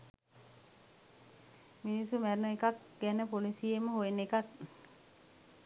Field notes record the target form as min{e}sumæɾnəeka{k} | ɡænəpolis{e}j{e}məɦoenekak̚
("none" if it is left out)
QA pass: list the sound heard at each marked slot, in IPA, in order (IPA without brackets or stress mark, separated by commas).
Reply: i, k, i, e